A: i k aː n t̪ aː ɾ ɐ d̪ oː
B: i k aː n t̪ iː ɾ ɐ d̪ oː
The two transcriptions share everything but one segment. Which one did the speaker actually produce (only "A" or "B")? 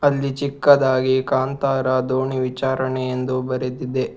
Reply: A